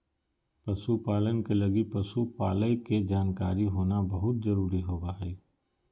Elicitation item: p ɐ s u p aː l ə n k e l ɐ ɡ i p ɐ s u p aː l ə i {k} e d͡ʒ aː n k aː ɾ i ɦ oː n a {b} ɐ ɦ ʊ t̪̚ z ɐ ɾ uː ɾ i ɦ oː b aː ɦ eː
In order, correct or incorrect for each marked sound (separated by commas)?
correct, correct